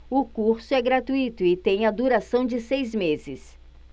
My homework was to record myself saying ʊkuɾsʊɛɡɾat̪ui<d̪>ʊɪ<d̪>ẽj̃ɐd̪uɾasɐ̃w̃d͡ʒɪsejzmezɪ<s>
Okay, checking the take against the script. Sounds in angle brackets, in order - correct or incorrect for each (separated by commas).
incorrect, incorrect, correct